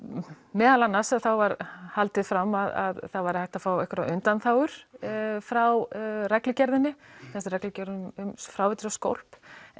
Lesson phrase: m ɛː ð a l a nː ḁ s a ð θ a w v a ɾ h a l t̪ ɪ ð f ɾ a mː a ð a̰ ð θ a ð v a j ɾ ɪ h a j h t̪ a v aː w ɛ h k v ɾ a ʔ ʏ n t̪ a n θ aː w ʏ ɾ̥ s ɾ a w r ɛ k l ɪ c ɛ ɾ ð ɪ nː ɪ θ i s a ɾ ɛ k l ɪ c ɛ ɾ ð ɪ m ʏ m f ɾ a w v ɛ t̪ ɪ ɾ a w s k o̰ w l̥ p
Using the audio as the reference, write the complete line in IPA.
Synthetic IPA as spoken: m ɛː ð a l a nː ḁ s a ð θ a w v a ɾ h a l t̪ ɪ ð f ɾ a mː a ð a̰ ð θ a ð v a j ɾ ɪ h a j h t̪ a f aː w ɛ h k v ɾ a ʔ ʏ n t̪ a n θ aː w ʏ ɾ̥ f ɾ a w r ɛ k l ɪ c ɛ ɾ ð ɪ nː ɪ θ ɛ s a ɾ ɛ k l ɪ c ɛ ɾ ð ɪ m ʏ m f ɾ a w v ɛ t̪ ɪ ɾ a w s k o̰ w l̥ p